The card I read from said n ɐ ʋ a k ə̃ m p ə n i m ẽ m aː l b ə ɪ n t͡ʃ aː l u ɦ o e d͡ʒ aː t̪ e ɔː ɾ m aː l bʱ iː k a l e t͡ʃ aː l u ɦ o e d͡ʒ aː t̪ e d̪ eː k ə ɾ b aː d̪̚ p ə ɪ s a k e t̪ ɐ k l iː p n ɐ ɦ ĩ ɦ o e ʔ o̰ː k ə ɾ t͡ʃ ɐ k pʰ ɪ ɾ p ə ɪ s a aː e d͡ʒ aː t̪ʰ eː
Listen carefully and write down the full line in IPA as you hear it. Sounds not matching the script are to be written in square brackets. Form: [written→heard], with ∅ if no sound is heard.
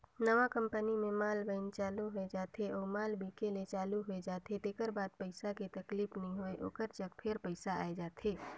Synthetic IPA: n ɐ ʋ a k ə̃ m p ə n i m ẽ m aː l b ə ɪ n t͡ʃ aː l u ɦ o e d͡ʒ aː t̪ e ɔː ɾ m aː l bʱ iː k [a→e] l e t͡ʃ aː l u ɦ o e d͡ʒ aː t̪ e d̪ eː k ə ɾ b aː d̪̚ p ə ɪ s a k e t̪ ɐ k l iː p n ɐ ɦ ĩ ɦ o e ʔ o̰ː k ə ɾ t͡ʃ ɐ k pʰ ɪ ɾ p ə ɪ s a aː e d͡ʒ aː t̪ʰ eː